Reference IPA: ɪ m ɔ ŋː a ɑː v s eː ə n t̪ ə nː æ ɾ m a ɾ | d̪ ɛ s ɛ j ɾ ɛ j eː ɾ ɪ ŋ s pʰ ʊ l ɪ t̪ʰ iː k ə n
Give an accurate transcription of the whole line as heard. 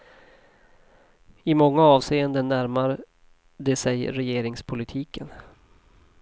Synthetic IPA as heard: ɪ m ɔ ŋː a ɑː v s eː ə n d̪ ə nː æ ɾ m a ɾ | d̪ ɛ s ɛ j ɾ ɛ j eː ɾ ɪ ŋ s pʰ ʊ l ɪ t̪ʰ iː k ə n